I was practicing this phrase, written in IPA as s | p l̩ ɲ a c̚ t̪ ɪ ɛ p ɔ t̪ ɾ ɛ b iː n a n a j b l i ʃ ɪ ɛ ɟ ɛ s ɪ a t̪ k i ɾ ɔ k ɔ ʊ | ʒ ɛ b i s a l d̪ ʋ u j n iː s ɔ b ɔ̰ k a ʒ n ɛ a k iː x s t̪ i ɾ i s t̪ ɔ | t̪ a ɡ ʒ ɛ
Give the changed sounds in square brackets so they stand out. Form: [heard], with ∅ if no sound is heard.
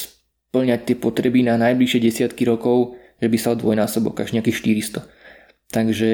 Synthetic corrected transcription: s | p l̩ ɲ a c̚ t̪ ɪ ɛ p ɔ t̪ ɾ ɛ b [i] n a n a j b l i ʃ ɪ ɛ ɟ ɛ s ɪ a t̪ k i ɾ ɔ k ɔ ʊ | ʒ ɛ b i s a l d̪ ʋ [ɔ] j n [aː] s ɔ b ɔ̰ k a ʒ [ɲ] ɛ a k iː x [ʃ] t̪ i ɾ i s t̪ ɔ | t̪ a ɡ ʒ ɛ